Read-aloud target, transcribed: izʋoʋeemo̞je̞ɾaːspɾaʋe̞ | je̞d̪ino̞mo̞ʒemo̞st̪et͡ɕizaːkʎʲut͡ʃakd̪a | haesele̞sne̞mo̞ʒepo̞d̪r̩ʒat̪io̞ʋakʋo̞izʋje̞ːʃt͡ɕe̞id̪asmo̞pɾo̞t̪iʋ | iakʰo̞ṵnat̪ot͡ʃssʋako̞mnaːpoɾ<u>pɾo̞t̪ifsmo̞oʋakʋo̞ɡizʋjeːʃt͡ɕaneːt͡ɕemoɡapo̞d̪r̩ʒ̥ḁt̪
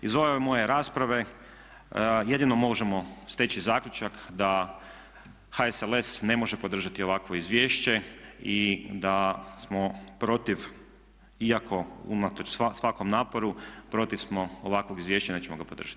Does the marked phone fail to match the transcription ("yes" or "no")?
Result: no